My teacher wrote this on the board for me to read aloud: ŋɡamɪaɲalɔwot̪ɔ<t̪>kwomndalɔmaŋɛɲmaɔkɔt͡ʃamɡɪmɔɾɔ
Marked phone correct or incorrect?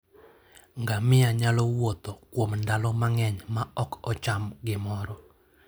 incorrect